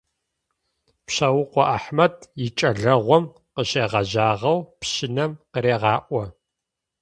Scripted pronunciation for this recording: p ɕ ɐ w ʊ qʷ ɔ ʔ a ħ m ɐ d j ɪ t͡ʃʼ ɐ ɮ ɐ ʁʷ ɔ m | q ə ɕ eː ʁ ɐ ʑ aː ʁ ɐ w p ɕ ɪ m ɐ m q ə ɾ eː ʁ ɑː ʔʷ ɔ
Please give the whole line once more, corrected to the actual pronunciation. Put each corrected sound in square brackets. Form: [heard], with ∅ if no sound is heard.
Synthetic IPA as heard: p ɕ ɐ w ʊ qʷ ɔ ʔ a ħ m ɐ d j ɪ t͡ʃʼ ɐ ɮ ɐ ʁʷ ɔ m | q ə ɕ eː ʁ ɐ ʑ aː ʁ ɐ w p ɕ ɪ [n] ɐ m q ə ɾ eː ʁ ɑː ʔʷ ɔ